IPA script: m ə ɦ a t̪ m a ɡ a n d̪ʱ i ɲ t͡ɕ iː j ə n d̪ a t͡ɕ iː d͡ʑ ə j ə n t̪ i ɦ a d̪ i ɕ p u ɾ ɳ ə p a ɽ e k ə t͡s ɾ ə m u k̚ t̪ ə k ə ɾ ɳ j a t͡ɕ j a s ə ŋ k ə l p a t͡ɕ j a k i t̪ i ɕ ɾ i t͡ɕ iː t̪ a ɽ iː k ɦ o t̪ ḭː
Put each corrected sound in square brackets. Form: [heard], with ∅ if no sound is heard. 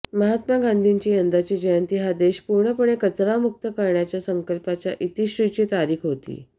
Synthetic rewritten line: m ə ɦ a t̪ m a ɡ a n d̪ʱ i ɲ t͡ɕ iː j ə n d̪ a t͡ɕ iː d͡ʑ ə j ə n t̪ i ɦ a d̪ [e] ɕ p u ɾ ɳ ə p [ə] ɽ e k ə t͡s ɾ [a] m u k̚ t̪ ə k ə ɾ ɳ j a t͡ɕ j a s ə ŋ k ə l p a t͡ɕ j a [ʔ] i t̪ i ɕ ɾ i t͡ɕ iː t̪ a [ɾ] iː k ɦ o t̪ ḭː

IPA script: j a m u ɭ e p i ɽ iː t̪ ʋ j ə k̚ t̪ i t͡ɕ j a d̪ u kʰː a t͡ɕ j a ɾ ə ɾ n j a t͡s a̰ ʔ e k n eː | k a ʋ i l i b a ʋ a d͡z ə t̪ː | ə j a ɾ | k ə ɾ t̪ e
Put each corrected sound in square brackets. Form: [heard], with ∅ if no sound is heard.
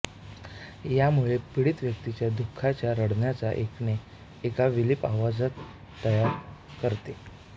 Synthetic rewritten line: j a m u ɭ e p i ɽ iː t̪ ʋ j ə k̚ t̪ i t͡ɕ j a d̪ u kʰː a t͡ɕ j a ɾ ə [ɽ] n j a t͡s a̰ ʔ e k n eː | k a ʋ i l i [p] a ʋ a d͡z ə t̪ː | ə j a ɾ | k ə ɾ t̪ e

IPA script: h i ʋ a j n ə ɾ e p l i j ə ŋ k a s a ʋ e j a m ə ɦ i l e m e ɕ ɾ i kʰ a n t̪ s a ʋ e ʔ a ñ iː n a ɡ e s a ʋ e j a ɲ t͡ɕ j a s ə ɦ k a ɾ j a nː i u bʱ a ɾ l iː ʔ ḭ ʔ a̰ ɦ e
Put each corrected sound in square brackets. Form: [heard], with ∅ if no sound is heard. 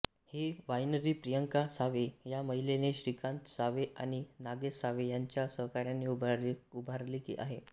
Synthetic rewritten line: h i ʋ a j n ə ɾ [i] p [ɾ] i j ə ŋ k a s a ʋ e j a m ə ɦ i l e [n] e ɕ ɾ i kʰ a n t̪ s a ʋ e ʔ a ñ [i] n a ɡ e s a ʋ e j a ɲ t͡ɕ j a s ə ɦ k a ɾ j a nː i u bʱ a ɾ l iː [k] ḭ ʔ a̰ ɦ e

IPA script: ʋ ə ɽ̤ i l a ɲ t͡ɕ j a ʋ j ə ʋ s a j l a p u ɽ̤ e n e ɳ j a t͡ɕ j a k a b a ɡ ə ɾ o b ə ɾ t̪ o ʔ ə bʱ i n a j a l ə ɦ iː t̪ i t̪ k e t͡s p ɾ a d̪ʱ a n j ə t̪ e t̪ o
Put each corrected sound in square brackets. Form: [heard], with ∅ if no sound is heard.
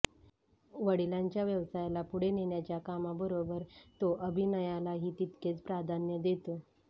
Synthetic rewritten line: ʋ ə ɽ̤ i l a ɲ t͡ɕ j a ʋ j ə ʋ s a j l a p u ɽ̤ e n e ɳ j a t͡ɕ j a k a [m] a [b] ə ɾ o b ə ɾ t̪ o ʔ ə bʱ i n [ə] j a l [a] ɦ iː t̪ i t̪ k e t͡s p ɾ a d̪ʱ a n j ə [d̪] e t̪ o

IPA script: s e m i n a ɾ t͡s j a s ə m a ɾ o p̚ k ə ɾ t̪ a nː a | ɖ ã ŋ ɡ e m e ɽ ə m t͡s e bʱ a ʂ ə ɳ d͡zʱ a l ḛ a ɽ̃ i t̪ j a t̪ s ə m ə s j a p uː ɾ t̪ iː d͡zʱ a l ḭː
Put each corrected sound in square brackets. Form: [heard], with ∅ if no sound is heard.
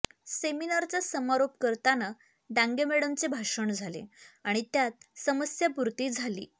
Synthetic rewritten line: s e m i n a ɾ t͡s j a s ə m a ɾ o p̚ k ə ɾ t̪ a [n] a | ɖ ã ŋ ɡ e m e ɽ ə m t͡s e bʱ a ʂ ə ɳ d͡zʱ a l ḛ a ɽ̃ i t̪ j a t̪ s ə m ə s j a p [u] ɾ t̪ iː d͡zʱ a l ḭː

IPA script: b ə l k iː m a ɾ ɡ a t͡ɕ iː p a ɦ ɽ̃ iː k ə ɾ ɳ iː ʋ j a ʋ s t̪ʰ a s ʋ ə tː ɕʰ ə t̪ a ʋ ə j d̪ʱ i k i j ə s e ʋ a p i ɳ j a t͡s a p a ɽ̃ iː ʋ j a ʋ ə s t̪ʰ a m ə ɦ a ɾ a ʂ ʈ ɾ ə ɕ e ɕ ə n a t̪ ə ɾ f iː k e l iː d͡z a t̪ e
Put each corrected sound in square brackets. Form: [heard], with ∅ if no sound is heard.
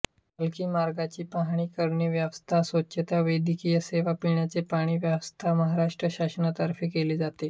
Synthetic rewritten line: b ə l k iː m a ɾ ɡ a t͡ɕ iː p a ɦ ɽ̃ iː k ə ɾ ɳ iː ʋ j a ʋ s t̪ʰ a s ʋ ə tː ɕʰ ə t̪ a ʋ ə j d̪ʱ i k i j ə s e ʋ a p i ɳ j a t͡s [e] p a ɽ̃ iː ʋ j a ʋ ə s t̪ʰ a m ə ɦ a ɾ a ʂ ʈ ɾ ə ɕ [a] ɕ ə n a t̪ ə ɾ f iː k e l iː d͡z a t̪ e

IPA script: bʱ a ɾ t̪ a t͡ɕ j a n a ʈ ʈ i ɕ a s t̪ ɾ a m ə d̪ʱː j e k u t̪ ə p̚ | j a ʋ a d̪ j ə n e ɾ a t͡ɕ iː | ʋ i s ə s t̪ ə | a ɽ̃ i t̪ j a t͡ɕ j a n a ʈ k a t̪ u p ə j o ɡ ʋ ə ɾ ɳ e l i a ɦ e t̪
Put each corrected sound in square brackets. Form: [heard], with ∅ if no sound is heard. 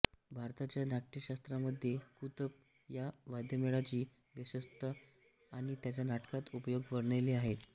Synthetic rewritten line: bʱ a ɾ t̪ a t͡ɕ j a n a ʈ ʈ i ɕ a s t̪ ɾ a m ə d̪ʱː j e k u t̪ ə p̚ | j a ʋ a d̪ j ə [m] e [ɭ] a t͡ɕ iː | ʋ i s ə s t̪ ə | a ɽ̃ i t̪ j a t͡ɕ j a n a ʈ k a t̪ u p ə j o ɡ ʋ ə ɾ ɳ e l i a ɦ e t̪

